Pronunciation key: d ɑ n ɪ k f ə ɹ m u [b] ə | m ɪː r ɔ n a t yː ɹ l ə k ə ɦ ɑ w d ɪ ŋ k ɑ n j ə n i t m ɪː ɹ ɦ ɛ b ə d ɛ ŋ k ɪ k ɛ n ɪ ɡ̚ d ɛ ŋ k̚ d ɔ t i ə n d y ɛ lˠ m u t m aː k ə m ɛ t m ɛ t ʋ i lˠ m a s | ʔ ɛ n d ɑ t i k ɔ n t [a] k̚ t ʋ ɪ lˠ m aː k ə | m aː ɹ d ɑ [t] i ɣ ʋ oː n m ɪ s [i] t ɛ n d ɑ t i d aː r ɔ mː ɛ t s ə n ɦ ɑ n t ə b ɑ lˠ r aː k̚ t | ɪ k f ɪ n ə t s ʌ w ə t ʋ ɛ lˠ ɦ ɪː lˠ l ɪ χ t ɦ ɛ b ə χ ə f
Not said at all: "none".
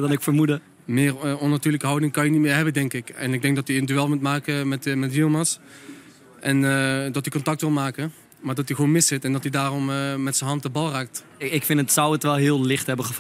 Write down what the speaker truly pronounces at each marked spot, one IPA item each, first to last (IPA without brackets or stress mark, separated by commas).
d, ɑ, t, ɪ